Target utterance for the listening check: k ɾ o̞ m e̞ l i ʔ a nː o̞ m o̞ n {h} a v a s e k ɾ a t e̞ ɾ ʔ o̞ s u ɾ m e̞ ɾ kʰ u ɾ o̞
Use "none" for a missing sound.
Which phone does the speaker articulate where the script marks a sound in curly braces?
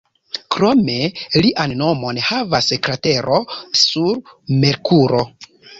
h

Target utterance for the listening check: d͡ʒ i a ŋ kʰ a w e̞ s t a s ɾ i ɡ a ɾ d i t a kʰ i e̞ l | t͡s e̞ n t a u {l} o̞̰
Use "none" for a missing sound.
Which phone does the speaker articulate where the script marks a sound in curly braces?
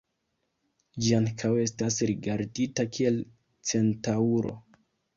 ɾ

